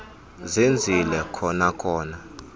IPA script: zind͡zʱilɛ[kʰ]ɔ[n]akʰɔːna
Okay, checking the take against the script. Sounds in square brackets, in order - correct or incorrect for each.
correct, correct

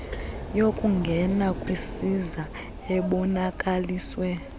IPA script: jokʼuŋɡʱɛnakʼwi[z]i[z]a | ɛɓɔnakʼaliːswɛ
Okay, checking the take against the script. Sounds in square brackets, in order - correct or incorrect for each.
incorrect: s, correct

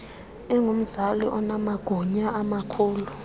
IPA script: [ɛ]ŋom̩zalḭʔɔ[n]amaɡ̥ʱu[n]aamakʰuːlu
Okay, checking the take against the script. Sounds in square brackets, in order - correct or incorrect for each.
correct, correct, incorrect: ɲ

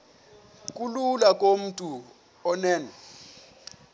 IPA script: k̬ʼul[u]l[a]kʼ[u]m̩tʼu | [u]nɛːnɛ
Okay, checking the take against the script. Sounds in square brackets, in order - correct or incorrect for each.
correct, correct, incorrect: o, incorrect: ɔ

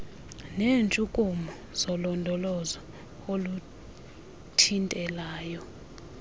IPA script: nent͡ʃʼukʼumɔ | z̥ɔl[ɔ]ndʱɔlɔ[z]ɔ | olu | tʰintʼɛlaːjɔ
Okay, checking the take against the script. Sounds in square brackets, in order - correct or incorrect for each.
correct, correct

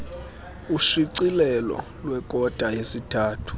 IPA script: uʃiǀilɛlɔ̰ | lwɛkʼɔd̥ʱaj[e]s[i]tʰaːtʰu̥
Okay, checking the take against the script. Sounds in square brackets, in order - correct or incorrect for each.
correct, correct

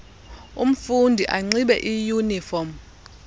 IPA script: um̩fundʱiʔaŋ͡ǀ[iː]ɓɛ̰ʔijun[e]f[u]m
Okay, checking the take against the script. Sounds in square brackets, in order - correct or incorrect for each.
incorrect: i, incorrect: i, incorrect: ɔ

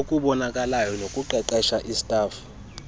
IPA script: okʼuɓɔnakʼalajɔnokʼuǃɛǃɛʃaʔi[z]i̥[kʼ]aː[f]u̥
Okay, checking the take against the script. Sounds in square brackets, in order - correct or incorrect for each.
incorrect: s, incorrect: tʼ, correct

